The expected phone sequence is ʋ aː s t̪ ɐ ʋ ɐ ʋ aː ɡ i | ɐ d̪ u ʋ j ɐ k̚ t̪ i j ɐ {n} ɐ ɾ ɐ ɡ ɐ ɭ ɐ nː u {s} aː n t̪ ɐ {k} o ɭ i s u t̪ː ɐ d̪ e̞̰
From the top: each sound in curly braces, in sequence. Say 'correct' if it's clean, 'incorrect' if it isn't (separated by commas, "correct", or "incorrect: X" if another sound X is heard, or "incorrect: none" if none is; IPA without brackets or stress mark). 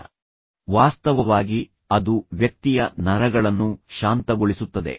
correct, incorrect: ʃ, incorrect: ɡ